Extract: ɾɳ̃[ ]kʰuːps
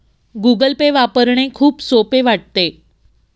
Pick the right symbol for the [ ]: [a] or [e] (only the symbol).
e